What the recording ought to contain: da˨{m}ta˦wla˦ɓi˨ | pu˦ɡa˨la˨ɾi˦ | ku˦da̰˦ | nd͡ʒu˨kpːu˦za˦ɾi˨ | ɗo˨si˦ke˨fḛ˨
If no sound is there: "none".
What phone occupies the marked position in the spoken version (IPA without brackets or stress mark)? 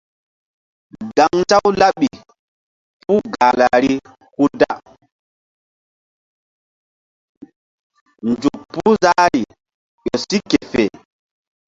ŋ